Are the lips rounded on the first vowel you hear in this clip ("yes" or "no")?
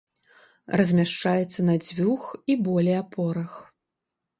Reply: no